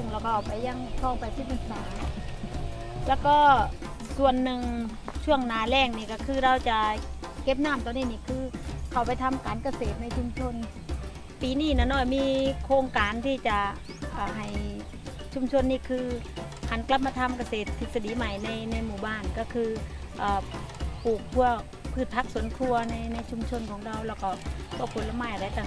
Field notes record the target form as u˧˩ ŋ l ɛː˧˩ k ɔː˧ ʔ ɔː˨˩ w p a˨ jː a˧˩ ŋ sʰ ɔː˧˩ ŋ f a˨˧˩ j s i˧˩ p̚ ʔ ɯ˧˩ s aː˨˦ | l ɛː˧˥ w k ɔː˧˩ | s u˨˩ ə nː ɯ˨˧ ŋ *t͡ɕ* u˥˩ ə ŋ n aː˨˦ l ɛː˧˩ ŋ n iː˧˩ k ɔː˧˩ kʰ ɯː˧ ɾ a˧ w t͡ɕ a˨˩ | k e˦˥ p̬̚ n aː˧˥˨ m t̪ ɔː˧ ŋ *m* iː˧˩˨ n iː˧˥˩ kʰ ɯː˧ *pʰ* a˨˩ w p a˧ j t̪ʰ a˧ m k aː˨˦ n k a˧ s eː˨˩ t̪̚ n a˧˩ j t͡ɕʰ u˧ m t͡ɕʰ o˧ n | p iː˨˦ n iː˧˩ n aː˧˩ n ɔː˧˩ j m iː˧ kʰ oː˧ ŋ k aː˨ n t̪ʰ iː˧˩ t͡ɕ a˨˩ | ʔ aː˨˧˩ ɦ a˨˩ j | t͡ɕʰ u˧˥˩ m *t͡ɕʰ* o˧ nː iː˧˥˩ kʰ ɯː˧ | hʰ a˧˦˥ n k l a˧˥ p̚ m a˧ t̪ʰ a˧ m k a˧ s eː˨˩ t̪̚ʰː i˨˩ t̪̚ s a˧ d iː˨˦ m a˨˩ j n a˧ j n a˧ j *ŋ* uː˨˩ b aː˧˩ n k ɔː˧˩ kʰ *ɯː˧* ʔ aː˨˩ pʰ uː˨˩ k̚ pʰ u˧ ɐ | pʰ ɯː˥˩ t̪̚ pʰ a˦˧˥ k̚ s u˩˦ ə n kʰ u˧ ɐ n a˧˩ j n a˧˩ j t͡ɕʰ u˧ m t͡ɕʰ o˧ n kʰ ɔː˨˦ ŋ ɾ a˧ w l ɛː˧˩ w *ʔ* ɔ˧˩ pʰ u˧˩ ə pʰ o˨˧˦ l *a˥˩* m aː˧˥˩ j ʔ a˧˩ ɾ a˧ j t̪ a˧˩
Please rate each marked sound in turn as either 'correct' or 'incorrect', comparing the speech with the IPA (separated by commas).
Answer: incorrect, incorrect, incorrect, correct, incorrect, correct, incorrect, incorrect